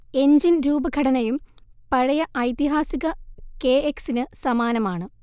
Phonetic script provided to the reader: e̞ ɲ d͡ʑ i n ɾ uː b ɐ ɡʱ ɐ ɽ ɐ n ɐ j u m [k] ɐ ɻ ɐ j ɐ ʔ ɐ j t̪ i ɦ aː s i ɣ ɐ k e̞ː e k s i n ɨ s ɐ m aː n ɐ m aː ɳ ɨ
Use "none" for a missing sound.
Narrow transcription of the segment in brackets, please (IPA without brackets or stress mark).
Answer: p